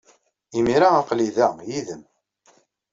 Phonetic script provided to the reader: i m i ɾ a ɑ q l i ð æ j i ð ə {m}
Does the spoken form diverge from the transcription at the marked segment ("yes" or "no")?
no